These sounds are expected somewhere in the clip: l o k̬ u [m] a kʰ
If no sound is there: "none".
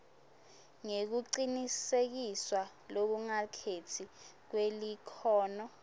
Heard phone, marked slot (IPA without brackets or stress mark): ŋ